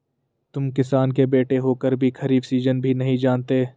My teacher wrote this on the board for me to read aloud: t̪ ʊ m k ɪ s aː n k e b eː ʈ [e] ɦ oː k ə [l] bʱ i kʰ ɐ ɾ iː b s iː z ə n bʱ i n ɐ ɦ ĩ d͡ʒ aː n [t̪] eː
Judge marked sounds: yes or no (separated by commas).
yes, no, yes